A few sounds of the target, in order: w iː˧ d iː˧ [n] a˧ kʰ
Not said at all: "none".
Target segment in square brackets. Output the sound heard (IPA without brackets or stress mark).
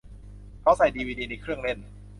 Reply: n